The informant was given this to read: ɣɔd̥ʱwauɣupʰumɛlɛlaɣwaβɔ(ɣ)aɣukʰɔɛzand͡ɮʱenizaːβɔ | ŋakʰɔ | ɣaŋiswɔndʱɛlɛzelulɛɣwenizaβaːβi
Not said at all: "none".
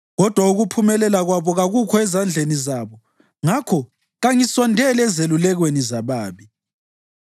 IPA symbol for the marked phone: ɣ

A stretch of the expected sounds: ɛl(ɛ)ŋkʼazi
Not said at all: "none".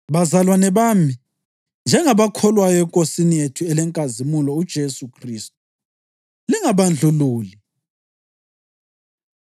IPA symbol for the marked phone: ɛ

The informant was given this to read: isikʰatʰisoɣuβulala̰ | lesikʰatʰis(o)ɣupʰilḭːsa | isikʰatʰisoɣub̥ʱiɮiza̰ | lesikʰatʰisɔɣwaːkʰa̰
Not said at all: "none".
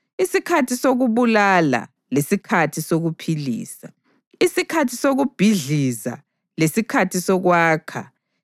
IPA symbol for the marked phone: o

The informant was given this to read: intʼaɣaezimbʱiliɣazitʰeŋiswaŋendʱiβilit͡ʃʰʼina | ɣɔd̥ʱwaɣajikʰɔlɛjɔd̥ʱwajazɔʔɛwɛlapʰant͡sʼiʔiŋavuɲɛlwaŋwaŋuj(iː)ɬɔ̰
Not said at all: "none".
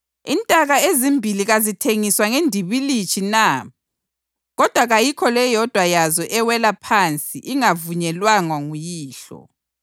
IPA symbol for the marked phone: iː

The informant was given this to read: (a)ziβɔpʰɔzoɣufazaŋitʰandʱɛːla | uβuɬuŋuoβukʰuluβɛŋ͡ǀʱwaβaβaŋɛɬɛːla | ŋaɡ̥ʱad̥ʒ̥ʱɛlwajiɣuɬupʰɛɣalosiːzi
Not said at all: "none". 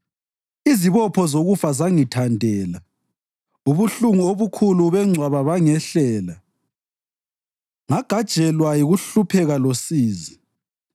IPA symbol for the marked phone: i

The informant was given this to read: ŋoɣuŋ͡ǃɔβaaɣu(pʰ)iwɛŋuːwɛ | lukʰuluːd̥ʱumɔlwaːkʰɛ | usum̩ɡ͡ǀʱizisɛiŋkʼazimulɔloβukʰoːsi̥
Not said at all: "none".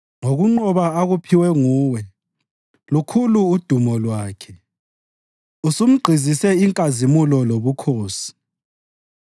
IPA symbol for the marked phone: pʰ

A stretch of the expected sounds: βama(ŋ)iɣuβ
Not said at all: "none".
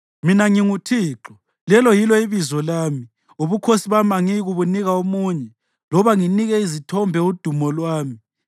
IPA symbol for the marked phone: ŋ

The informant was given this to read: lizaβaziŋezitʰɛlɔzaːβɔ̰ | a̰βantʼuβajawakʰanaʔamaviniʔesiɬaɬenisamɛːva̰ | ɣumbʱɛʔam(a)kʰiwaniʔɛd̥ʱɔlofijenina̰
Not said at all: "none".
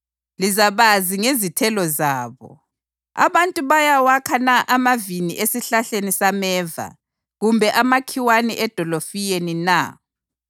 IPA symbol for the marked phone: a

